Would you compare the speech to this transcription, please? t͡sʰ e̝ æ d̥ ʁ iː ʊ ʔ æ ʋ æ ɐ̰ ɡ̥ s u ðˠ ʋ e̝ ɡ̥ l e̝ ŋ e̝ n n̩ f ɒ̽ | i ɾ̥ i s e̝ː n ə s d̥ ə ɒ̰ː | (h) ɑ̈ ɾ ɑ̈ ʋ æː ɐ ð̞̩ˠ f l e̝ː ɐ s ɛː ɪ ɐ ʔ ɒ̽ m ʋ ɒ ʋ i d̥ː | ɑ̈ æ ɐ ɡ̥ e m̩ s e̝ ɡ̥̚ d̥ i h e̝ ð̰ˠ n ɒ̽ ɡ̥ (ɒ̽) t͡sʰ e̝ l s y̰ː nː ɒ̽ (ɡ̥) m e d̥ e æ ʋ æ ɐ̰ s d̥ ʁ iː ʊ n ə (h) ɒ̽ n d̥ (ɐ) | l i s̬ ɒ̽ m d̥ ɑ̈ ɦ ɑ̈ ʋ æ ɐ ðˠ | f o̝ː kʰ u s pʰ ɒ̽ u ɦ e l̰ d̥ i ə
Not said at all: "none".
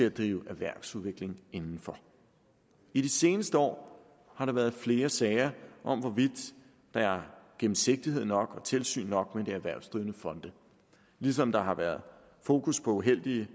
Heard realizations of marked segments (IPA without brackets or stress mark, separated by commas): h, ɒ̽, ɡ̥, f, ə